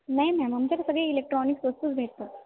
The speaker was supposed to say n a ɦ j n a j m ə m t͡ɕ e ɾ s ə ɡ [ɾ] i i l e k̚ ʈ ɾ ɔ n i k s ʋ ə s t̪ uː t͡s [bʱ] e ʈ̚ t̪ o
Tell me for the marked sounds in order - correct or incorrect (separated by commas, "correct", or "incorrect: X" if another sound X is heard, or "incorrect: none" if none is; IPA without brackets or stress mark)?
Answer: incorrect: ɭ, correct